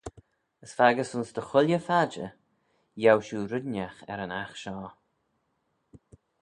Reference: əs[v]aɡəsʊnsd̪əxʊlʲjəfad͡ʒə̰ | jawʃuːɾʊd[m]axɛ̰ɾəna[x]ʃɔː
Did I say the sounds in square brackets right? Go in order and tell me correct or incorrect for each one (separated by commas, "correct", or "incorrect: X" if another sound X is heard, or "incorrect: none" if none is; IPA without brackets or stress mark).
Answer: incorrect: f, incorrect: n, correct